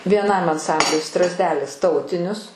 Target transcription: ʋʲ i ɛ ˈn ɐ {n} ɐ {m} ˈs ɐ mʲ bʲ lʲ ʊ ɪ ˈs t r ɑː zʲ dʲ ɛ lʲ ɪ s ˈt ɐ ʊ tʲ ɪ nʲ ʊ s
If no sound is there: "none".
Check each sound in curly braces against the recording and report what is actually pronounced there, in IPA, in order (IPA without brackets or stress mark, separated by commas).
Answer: m, n